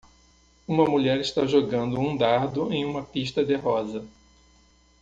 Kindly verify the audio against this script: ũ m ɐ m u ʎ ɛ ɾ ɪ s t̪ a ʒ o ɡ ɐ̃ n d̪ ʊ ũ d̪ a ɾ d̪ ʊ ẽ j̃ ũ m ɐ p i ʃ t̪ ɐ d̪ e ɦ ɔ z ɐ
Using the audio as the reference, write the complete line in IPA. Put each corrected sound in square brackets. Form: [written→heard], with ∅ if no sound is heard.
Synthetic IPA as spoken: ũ m ɐ m u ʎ ɛ ɾ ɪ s t̪ a ʒ o ɡ ɐ̃ n d̪ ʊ ũ d̪ a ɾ d̪ ʊ ẽ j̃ ũ m ɐ p i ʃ t̪ ɐ d̪ e ɦ ɔ z ɐ